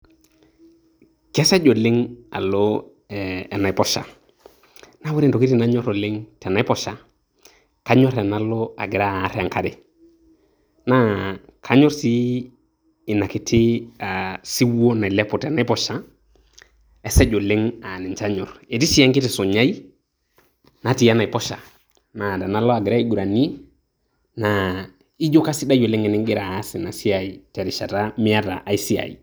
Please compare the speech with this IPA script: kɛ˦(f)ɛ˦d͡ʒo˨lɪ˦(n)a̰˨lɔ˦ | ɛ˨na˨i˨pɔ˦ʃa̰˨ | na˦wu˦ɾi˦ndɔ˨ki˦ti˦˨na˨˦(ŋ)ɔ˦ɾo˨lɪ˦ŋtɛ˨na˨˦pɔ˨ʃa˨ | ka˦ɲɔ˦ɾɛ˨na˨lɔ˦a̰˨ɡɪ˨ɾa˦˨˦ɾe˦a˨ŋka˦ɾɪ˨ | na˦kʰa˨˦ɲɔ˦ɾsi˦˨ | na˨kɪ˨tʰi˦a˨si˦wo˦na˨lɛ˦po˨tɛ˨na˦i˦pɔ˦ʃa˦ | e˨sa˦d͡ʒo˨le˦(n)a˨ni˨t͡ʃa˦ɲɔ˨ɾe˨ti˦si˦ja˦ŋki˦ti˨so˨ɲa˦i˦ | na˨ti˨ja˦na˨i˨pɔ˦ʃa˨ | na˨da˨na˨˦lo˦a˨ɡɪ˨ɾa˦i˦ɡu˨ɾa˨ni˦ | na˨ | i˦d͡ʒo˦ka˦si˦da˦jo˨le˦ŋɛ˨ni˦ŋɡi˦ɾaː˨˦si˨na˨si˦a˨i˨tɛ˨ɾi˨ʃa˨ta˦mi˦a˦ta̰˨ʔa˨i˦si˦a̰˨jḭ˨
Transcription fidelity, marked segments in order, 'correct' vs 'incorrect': incorrect, incorrect, incorrect, incorrect

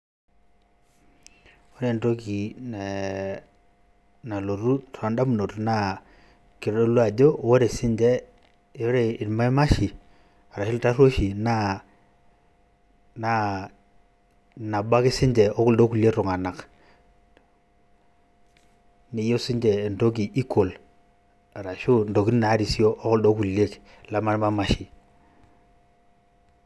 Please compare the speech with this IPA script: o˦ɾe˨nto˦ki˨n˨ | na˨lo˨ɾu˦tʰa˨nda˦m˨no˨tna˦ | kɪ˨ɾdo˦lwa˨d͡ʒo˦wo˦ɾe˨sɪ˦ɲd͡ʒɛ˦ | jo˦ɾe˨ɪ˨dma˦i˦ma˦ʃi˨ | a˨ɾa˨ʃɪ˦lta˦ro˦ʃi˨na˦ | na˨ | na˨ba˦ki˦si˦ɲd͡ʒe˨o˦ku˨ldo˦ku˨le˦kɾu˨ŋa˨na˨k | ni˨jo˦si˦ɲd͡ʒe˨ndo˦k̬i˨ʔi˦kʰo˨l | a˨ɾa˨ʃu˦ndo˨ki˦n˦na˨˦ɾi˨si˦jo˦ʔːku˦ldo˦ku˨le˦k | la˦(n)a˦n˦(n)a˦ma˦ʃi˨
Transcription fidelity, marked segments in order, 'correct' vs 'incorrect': incorrect, incorrect

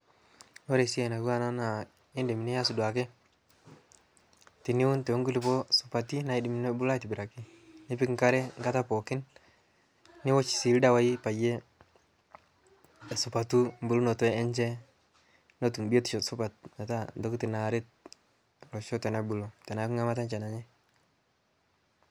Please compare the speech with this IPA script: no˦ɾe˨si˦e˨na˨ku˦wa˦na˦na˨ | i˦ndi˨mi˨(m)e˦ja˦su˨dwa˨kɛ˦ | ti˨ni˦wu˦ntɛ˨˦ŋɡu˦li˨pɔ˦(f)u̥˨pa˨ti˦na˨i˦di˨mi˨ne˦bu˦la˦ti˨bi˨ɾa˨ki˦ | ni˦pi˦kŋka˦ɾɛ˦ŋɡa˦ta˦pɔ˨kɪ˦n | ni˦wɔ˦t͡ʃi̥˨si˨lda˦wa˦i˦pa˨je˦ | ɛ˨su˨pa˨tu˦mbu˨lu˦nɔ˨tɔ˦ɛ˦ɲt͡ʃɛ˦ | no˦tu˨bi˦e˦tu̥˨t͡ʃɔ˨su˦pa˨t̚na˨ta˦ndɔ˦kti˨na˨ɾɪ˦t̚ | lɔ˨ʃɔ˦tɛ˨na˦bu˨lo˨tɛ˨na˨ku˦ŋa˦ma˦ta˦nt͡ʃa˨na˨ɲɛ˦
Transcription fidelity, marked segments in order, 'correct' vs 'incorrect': incorrect, incorrect

